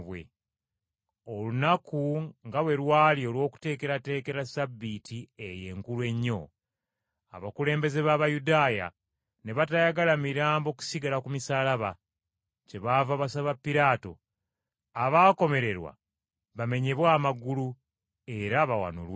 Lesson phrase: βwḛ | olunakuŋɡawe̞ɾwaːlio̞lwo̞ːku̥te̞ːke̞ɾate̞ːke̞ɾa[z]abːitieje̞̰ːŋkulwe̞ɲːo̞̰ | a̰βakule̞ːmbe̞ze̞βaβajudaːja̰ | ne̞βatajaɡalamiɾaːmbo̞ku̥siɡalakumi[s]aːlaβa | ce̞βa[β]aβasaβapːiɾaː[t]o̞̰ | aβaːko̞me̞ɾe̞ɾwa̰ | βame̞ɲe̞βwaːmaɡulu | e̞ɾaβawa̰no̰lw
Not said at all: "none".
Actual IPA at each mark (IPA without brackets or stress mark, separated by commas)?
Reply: s, s, v, t